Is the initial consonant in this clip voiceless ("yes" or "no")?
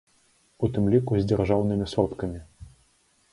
yes